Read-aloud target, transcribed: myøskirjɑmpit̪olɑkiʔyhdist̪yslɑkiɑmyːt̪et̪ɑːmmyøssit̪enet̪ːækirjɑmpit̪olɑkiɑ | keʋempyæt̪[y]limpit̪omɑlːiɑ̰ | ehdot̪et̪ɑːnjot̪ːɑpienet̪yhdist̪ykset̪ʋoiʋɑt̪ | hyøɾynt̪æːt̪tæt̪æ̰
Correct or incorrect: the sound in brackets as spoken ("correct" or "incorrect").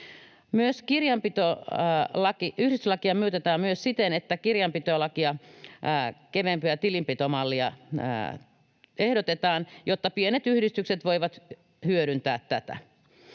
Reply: incorrect